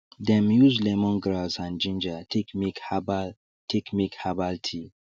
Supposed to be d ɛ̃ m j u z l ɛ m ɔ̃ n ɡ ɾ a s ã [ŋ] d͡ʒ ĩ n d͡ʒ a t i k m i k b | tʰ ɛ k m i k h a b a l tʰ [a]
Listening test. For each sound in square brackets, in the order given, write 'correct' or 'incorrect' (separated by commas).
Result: incorrect, incorrect